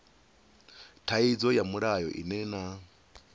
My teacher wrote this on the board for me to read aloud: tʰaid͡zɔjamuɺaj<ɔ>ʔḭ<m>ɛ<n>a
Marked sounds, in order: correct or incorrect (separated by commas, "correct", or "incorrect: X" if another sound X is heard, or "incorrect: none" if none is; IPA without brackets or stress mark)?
correct, incorrect: n, correct